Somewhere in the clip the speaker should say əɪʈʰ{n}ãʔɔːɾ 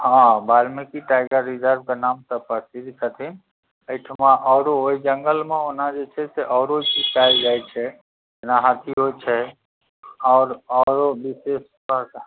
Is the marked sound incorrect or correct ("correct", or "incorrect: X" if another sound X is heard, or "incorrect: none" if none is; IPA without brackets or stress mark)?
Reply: incorrect: m